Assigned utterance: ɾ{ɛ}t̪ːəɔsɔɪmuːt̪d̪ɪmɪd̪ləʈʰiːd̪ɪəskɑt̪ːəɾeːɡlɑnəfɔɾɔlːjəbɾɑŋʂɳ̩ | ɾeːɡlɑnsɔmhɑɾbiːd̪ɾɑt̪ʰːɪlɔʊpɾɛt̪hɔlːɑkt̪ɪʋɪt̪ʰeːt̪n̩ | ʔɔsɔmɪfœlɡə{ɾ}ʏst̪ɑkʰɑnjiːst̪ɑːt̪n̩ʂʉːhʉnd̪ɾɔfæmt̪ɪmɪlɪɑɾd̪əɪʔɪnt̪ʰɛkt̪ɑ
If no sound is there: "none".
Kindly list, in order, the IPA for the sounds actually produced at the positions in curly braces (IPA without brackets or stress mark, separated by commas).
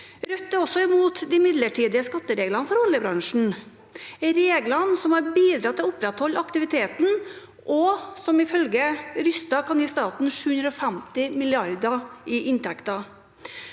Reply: œ, ɾ